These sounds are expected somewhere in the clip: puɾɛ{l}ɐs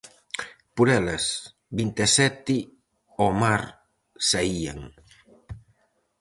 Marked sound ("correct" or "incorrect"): correct